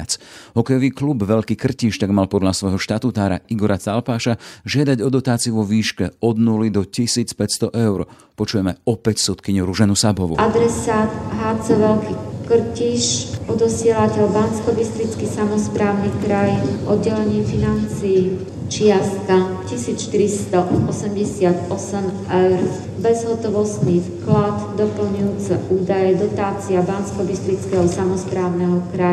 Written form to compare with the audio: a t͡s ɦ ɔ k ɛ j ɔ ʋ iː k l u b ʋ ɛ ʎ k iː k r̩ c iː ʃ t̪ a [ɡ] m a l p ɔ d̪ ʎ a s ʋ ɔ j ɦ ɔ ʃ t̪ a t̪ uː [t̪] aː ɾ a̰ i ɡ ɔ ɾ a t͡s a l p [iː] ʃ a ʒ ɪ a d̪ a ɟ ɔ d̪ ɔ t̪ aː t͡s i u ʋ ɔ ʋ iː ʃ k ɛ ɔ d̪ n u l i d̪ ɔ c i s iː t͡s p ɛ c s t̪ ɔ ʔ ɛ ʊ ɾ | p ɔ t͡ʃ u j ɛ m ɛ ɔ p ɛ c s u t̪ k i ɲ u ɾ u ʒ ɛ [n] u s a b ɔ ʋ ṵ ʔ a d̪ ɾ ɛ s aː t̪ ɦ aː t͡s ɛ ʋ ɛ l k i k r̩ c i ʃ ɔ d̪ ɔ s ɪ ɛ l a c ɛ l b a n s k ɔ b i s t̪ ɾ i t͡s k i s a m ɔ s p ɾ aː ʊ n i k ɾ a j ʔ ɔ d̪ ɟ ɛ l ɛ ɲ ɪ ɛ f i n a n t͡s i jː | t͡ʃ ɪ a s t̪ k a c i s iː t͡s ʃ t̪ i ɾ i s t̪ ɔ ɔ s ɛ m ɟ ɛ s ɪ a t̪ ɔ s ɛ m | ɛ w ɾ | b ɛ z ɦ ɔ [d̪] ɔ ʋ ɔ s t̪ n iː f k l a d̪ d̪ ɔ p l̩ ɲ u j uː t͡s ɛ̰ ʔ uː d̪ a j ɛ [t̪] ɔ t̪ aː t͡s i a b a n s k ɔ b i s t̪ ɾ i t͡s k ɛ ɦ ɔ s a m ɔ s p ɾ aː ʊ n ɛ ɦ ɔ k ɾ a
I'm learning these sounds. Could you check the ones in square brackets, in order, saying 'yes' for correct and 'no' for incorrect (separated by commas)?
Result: yes, yes, no, yes, no, no